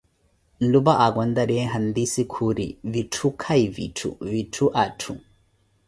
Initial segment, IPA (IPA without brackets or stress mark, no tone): l